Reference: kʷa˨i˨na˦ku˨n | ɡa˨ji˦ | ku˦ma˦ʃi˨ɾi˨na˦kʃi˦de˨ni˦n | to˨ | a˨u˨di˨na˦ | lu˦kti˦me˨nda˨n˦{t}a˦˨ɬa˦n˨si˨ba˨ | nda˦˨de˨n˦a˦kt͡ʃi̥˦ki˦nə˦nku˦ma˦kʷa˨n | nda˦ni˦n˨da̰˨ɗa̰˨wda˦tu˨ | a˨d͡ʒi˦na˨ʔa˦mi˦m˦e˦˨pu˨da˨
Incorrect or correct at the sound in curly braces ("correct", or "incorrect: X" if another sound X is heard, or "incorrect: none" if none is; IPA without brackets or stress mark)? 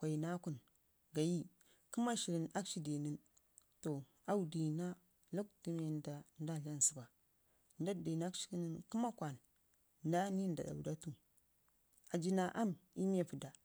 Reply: incorrect: d